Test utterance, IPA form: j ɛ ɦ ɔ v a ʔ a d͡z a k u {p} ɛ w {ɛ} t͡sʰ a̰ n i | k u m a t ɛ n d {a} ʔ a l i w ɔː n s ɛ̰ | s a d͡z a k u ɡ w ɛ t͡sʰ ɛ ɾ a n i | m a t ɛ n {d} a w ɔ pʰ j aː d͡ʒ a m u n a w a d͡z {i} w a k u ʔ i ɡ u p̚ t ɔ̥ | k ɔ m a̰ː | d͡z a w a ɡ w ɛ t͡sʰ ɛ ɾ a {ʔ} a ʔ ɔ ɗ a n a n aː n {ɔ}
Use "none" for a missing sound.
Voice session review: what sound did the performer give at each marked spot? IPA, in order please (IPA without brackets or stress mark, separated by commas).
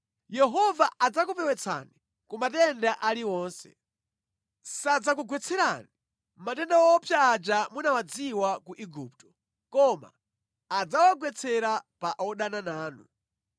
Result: p, ɛ, a, d, i, p, u